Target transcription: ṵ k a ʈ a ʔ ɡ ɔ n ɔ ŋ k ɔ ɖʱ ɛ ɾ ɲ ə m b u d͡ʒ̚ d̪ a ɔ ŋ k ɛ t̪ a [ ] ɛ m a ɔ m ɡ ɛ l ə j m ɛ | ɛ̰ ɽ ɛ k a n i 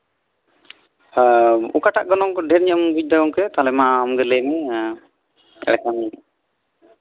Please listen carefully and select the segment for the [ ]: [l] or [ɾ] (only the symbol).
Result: l